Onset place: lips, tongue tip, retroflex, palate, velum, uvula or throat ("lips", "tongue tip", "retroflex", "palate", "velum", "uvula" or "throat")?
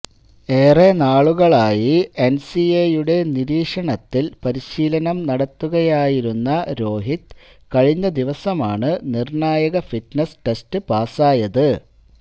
tongue tip